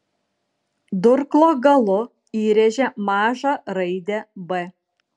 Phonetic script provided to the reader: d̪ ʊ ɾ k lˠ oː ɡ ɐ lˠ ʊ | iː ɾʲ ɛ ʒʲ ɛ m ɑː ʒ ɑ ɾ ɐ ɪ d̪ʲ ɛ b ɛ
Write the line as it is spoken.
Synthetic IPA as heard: d̪ ʊ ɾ k lˠ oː ɡ ɐ lˠ ʊ | iː ɾʲ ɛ ʒʲ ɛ m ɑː ʒ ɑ ɾ ɐ ɪ d̪ʲ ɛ b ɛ